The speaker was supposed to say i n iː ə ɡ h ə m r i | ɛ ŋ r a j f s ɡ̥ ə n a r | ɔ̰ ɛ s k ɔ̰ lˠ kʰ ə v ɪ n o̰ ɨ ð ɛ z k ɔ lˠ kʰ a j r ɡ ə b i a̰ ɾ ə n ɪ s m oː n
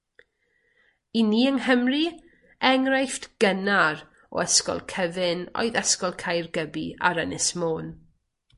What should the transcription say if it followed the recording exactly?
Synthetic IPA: i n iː ə ŋ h ə m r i | ɛ ŋ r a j f t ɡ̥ ə n a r | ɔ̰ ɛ s k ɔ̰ lˠ kʰ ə v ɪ n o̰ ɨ ð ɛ s k ɔ lˠ kʰ a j r ɡ ə b i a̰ ɾ ə n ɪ s m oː n